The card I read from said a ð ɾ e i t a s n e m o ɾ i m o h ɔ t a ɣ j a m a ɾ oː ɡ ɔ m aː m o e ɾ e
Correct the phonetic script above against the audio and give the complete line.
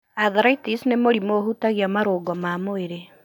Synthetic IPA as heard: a ð ɾ a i t i s n e m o ɾ i m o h u t a ɣ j a m a ɾ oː ɡ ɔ m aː m o e ɾ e